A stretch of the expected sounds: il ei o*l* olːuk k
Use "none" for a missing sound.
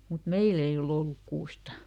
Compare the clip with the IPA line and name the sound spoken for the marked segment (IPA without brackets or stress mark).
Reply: l